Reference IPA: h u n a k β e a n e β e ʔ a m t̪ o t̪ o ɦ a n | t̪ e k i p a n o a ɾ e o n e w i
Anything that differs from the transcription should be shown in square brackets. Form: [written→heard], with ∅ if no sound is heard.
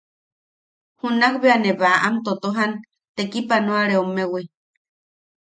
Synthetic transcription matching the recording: h u n a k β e a n e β [e→a] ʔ a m t̪ o t̪ o ɦ a n | t̪ e k i p a n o a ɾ e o [n→m] e w i